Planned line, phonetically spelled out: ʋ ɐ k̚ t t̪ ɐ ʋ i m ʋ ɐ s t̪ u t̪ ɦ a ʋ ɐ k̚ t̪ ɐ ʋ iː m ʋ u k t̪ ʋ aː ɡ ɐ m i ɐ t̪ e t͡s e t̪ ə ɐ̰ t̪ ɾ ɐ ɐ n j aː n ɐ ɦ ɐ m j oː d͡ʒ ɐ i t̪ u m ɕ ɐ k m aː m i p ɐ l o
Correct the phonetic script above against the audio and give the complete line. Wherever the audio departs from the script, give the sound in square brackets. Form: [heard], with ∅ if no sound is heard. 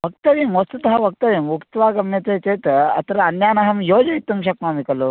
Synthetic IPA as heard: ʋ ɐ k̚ t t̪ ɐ ʋ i m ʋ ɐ s t̪ u t̪ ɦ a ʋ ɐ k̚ t̪ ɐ ʋ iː m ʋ u k t̪ ʋ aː ɡ ɐ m [j] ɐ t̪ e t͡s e t̪ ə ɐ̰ t̪ ɾ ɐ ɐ n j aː n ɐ ɦ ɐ m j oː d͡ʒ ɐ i t̪ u m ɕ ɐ k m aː m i [k] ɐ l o